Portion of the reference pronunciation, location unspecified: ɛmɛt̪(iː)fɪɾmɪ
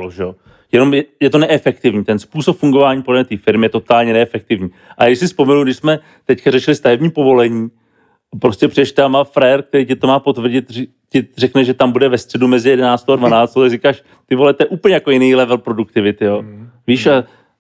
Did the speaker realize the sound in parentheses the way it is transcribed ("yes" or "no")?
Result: yes